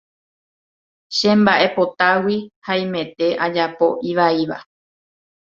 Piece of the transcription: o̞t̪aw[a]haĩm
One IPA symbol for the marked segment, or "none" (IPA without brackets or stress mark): i